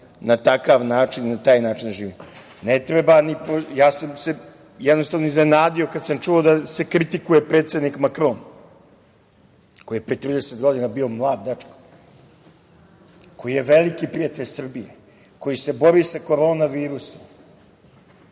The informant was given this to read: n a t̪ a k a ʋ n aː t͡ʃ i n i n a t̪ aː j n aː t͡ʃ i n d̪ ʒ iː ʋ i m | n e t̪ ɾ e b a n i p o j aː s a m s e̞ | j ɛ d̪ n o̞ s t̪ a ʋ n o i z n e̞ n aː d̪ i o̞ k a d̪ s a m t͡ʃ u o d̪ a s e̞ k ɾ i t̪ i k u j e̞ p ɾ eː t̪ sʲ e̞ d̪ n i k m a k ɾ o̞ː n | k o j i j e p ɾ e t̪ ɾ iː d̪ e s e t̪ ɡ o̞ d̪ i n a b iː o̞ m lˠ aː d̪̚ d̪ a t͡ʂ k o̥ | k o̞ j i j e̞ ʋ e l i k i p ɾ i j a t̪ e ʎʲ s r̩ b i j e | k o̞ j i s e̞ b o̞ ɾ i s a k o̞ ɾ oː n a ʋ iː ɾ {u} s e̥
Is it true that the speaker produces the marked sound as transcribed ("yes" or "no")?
yes